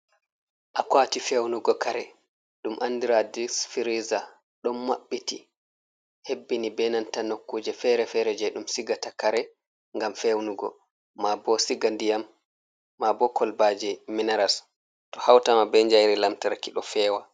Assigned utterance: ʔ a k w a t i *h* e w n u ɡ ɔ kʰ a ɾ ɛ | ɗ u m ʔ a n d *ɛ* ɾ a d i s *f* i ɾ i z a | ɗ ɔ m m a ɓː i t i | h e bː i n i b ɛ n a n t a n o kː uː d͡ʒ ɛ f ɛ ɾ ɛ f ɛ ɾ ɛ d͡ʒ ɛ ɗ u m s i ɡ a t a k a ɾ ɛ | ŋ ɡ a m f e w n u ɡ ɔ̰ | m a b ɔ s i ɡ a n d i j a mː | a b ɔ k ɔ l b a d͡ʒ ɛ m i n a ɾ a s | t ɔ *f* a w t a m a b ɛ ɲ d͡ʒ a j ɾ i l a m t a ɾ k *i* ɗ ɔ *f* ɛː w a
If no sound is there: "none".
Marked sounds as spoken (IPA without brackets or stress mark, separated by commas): f, i, f, h, i, f